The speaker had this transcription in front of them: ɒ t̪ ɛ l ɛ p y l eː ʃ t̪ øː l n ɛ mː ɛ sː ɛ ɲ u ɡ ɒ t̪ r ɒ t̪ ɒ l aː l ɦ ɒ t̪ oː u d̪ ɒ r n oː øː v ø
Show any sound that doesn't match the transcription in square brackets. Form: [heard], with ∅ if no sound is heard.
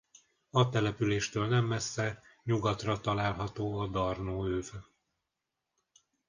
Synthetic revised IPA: ɒ t̪ ɛ l ɛ p y l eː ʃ t̪ øː l n ɛ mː ɛ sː ɛ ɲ u ɡ ɒ t̪ r ɒ t̪ ɒ l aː l ɦ ɒ t̪ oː [ɒ] d̪ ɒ r n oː øː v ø